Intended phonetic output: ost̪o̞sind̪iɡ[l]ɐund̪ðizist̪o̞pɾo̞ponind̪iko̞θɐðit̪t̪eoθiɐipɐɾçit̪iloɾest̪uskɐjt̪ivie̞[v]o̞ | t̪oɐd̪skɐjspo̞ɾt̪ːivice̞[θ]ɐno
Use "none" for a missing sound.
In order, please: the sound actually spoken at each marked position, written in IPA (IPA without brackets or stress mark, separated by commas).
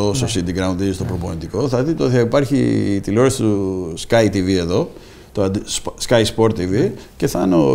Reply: ɾ, ð, θ